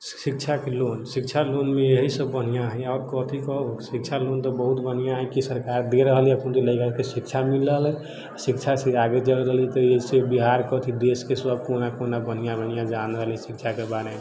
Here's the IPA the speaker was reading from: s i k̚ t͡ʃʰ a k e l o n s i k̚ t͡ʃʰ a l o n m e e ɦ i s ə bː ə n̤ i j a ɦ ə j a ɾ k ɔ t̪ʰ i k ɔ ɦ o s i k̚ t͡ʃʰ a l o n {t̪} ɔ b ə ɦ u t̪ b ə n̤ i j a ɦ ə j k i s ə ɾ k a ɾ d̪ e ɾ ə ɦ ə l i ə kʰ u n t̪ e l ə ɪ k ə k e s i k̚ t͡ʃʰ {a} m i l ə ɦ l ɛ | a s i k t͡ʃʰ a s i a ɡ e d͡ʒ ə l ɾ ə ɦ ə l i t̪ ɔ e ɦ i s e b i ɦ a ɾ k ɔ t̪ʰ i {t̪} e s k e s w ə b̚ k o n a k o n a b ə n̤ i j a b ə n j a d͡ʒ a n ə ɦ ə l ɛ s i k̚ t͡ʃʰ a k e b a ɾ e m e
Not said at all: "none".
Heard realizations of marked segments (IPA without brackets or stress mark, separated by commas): t̪, a, d̪